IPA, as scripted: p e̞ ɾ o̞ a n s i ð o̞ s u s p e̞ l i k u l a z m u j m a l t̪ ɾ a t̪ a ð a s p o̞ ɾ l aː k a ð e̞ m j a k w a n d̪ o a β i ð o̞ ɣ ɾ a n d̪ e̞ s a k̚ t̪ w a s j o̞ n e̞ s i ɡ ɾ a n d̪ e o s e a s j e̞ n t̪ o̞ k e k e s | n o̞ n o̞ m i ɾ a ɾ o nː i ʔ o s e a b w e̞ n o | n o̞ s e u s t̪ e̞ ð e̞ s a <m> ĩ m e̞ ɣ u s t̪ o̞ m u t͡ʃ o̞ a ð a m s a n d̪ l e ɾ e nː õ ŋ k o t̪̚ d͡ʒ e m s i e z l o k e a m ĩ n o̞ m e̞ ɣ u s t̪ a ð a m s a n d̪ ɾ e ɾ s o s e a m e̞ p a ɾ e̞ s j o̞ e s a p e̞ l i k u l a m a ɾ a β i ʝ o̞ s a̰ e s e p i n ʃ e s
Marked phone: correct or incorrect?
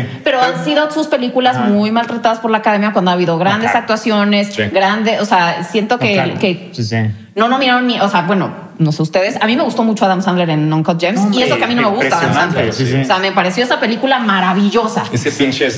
correct